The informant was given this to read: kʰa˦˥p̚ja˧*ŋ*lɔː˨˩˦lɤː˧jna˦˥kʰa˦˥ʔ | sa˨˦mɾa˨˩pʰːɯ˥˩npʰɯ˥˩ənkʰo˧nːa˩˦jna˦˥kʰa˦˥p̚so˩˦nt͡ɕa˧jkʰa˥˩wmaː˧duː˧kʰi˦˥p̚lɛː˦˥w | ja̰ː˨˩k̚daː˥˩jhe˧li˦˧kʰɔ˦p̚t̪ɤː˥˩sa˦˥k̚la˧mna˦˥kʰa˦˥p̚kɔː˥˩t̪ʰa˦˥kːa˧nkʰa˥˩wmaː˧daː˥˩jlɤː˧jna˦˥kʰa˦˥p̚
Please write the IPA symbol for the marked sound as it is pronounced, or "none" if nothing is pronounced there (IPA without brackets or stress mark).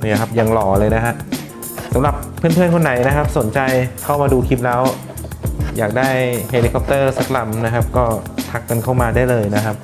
ŋ